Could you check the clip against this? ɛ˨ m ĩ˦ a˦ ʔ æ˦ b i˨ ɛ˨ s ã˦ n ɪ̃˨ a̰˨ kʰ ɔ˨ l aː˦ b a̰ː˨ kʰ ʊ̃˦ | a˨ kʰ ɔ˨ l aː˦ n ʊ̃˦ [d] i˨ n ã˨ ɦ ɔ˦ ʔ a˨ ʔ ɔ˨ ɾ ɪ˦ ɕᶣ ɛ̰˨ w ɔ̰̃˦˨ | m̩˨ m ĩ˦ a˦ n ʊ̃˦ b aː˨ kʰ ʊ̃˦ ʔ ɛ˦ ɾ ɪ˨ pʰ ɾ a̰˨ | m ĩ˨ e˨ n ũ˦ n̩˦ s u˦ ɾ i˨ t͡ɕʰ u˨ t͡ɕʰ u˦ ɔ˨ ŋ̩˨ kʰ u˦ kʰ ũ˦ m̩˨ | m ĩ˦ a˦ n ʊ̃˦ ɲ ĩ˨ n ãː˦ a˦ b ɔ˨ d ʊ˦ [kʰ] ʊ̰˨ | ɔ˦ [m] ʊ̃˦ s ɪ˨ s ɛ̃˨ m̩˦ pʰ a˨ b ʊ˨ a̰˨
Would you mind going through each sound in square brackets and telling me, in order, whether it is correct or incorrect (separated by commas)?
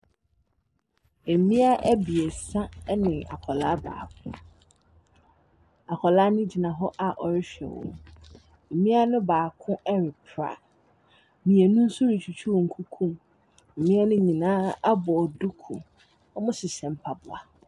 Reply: incorrect, correct, correct